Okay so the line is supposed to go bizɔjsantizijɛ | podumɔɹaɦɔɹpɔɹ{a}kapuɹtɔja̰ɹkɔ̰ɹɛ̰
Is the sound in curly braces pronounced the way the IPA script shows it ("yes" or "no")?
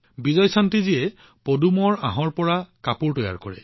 yes